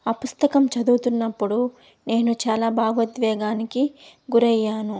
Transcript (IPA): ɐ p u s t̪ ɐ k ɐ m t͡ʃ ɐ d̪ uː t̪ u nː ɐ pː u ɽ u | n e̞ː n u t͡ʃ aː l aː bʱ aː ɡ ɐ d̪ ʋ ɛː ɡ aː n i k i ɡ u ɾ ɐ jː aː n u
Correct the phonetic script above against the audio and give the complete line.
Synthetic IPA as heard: ɐ p u s t̪ ɐ k ɐ m t͡ʃ ɐ d̪ uː t̪ u nː ɐ pː u ɽ u | n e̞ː n u t͡ʃ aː l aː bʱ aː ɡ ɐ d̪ ʋ ɛː ɡ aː n i k i ɡ u ɾ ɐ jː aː n u